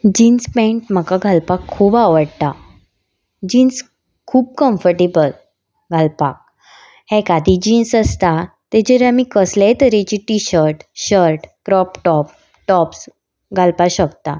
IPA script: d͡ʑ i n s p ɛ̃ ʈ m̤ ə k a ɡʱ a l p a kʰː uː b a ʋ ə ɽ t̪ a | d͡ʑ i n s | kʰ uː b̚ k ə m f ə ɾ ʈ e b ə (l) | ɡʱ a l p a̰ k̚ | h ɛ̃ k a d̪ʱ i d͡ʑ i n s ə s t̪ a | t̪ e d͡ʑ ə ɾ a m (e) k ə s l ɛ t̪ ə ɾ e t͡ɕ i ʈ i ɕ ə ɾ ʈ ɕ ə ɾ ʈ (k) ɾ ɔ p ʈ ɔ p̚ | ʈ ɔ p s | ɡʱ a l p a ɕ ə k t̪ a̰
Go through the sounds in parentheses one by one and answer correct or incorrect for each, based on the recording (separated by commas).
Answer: correct, incorrect, correct